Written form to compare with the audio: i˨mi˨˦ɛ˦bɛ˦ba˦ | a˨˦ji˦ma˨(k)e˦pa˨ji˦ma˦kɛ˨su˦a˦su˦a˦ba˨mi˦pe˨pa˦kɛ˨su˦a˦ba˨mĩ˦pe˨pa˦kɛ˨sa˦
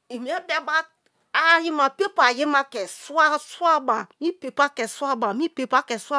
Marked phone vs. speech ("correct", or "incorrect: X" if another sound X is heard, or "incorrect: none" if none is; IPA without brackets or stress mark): incorrect: p